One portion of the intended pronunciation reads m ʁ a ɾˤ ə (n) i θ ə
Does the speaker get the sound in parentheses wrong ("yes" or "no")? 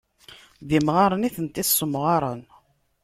no